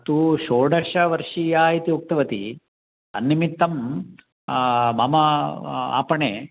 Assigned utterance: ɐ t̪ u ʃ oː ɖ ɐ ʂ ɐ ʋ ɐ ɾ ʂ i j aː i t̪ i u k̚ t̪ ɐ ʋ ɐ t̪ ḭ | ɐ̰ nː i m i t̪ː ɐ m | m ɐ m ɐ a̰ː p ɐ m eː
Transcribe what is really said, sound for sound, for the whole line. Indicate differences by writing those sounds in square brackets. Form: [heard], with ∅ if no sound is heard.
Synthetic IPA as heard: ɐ t̪ u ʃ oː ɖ ɐ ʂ ɐ ʋ ɐ ɾ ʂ i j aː i t̪ i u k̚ t̪ ɐ ʋ ɐ t̪ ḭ | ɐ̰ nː i m i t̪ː ɐ m | m ɐ m ɐ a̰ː p ɐ [ɳ] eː